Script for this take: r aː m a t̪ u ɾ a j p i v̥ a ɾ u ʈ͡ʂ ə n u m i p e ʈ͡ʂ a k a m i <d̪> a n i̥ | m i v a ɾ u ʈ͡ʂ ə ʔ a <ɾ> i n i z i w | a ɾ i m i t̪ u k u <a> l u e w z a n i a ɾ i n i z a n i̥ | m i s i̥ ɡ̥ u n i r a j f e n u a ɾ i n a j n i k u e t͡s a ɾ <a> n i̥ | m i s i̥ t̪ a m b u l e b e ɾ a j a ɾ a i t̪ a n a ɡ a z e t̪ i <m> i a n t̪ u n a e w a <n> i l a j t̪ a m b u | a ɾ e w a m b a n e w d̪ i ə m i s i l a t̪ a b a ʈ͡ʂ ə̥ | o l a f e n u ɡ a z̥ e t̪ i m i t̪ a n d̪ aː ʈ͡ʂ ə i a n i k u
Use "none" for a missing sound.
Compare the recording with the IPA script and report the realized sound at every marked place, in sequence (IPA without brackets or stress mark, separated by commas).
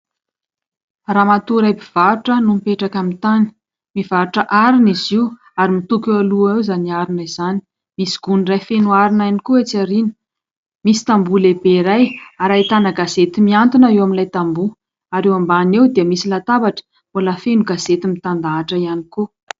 t̪, ɾ, a, i, m, m